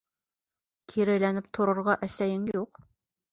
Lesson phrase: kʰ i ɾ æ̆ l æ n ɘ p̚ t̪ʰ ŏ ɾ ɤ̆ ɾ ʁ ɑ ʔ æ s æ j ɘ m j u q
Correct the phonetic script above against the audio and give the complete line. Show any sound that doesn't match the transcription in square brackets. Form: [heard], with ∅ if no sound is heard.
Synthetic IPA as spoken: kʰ i ɾ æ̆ l æ n ɘ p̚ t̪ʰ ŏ ɾ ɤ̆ ɾ ʁ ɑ ʔ æ s æ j ɘ [ŋ] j u q